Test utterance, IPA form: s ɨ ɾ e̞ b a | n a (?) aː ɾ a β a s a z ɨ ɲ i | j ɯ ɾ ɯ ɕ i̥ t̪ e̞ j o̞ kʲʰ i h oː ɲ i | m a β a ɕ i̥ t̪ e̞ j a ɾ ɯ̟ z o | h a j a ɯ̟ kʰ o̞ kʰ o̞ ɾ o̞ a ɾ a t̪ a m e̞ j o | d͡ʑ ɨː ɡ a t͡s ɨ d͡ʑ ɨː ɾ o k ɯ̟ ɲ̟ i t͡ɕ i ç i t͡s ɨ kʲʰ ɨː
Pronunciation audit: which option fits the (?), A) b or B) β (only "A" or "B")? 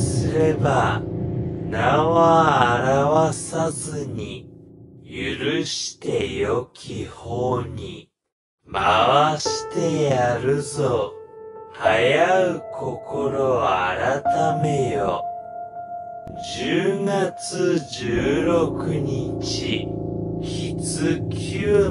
B